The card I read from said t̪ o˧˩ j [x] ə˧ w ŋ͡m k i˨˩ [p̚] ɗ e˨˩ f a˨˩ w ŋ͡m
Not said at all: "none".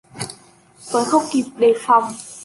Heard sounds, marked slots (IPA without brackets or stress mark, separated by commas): x, p̚